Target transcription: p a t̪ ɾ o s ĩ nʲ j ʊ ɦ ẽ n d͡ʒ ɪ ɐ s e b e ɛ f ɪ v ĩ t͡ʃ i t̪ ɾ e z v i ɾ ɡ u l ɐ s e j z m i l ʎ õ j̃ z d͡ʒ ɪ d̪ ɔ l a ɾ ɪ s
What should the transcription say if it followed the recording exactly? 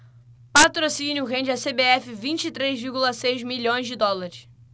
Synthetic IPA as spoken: p a t̪ ɾ o s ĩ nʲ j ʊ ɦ ẽ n d͡ʒ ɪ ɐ s e b e ɛ f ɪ v ĩ t͡ʃ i t̪ ɾ e z v i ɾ ɡ u l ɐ s e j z m i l ʎ õ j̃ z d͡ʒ ɪ d̪ ɔ l a ɾ ɪ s